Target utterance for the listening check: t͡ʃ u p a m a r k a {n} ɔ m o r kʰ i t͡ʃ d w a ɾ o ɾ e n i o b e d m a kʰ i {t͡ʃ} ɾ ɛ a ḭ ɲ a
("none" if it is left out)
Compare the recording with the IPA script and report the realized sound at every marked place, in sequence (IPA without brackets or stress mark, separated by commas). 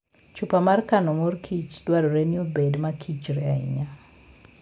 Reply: n, t͡ʃ